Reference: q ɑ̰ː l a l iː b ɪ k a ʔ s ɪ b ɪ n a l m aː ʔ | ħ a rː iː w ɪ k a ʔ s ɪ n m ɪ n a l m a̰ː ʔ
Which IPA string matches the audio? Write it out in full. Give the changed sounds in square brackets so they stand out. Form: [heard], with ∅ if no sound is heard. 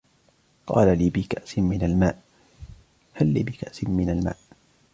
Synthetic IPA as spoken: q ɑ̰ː l a l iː b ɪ k a ʔ s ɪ [m] ɪ n a l m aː ʔ | [h] a [lː] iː [b] ɪ k a ʔ s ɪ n m ɪ n a l m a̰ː ʔ